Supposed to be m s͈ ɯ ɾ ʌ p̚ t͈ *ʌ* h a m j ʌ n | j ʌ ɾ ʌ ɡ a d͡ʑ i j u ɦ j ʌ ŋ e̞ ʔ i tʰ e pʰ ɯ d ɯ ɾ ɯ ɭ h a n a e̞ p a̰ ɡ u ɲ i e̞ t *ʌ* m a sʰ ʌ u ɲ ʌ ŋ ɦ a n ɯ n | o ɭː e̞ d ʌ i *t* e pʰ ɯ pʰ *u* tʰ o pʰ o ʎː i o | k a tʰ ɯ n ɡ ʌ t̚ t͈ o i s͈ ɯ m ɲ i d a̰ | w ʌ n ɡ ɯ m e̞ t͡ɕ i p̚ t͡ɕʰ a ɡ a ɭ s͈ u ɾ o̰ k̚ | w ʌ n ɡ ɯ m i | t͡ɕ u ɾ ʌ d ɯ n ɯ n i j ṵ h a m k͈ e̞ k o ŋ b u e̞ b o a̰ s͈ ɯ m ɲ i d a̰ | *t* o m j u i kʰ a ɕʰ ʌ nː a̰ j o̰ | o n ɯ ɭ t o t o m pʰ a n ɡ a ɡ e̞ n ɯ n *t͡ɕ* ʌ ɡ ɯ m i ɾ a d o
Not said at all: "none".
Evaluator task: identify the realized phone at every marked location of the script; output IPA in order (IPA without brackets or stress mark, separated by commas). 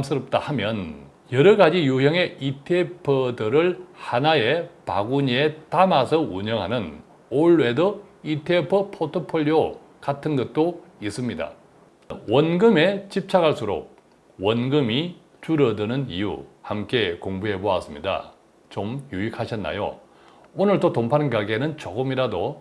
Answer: a, a, tʰ, o, t͡ɕ, t͡ɕ